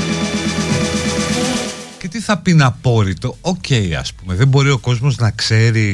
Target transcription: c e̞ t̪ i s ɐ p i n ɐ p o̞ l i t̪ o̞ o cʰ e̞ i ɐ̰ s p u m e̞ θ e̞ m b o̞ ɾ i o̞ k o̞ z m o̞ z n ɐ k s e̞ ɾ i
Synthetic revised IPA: c e̞ t̪ i θ ɐ p i n ɐ p o̞ ɾ i t̪ o̞ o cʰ e̞ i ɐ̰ s p u m e̞ ð e̞ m b o̞ ɾ i o̞ k o̞ z m o̞ z n ɐ k s e̞ ɾ i